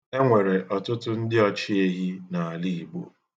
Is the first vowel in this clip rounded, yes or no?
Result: no